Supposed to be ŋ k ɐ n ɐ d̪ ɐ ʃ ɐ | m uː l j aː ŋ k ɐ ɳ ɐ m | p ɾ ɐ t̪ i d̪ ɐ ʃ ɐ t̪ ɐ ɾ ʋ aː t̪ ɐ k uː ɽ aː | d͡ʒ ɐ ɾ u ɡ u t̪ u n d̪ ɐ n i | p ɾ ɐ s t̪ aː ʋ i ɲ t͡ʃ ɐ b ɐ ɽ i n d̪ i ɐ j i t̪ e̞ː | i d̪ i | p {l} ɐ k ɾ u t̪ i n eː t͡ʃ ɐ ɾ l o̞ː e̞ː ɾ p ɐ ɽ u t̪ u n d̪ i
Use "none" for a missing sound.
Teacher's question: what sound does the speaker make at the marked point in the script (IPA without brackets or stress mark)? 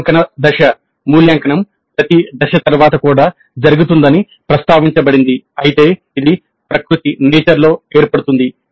ɾ